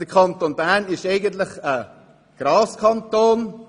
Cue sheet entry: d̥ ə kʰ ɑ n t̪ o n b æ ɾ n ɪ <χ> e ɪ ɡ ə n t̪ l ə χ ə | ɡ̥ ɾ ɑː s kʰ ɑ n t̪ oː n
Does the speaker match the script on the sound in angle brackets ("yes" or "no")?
no